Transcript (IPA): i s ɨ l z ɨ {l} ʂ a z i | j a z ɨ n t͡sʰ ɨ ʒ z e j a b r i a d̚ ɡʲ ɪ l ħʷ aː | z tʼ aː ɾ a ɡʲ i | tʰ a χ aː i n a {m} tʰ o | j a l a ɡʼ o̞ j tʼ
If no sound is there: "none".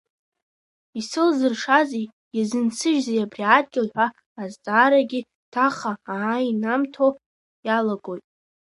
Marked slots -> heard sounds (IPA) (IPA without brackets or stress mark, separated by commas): r, m